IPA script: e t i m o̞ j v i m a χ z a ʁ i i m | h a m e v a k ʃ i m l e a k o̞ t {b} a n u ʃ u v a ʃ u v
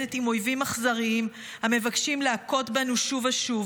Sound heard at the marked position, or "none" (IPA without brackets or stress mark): b